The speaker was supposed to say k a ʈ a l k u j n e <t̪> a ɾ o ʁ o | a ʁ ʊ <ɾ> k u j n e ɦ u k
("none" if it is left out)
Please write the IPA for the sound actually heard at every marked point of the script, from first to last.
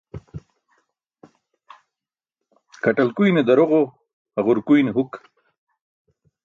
d̪, ɾ

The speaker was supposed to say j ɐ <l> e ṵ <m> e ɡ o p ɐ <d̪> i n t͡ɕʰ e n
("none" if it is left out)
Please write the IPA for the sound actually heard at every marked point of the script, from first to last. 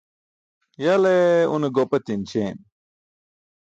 l, n, t̪

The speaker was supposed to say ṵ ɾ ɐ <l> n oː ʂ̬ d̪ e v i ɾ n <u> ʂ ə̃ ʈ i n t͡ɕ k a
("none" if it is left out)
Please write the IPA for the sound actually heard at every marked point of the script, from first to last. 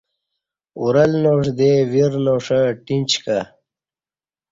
l, o

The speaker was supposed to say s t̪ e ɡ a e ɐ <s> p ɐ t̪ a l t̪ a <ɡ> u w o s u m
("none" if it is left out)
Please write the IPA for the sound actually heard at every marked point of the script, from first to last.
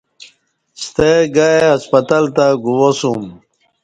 s, ɡ

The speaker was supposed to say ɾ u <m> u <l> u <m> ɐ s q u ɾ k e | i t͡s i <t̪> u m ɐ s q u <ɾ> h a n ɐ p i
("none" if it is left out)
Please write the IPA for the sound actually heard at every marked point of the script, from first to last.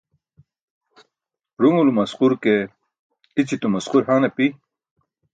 ŋ, l, m, t̪, ɾ

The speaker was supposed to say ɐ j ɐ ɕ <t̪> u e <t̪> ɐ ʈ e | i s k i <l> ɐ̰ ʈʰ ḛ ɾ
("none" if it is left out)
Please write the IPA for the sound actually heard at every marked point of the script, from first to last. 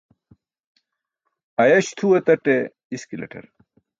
t̪ʰ, t̪, l

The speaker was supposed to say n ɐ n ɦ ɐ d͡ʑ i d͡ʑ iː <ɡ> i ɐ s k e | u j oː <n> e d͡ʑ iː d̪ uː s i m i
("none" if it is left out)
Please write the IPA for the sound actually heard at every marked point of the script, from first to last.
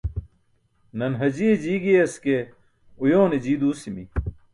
ɡ, n

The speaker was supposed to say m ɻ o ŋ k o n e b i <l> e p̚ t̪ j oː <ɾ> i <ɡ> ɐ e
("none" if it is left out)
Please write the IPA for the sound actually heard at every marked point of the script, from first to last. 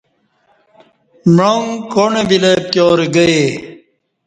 l, ɾ, ɡ

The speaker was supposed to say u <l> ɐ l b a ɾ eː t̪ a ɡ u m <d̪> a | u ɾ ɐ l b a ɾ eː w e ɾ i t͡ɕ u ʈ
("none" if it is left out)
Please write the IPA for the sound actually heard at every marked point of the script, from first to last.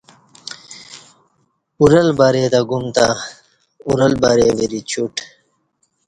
ɾ, t̪

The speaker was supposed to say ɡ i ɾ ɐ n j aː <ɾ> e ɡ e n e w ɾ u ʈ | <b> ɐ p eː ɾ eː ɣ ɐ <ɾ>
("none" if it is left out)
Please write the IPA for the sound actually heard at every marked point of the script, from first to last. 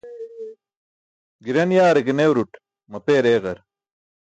ɾ, m, ɾ

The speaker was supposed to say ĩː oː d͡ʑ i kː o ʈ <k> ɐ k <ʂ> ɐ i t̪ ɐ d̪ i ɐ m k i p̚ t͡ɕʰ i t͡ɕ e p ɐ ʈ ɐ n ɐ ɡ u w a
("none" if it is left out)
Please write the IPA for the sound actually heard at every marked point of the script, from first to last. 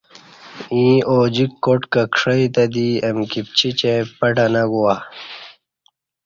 k, ʂ

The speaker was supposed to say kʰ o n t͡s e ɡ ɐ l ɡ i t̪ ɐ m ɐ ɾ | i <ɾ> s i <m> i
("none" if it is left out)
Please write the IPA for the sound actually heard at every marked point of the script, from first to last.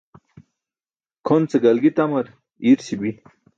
ɾ, b

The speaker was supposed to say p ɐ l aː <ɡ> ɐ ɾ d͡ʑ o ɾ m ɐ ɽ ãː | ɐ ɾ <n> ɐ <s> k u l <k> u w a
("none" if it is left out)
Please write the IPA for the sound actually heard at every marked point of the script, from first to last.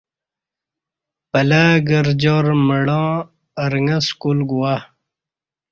ɡ, ŋ, s, ɡ

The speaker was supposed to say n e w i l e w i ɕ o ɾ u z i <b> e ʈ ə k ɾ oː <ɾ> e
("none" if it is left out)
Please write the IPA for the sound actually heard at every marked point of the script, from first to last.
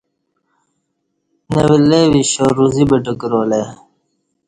b, l

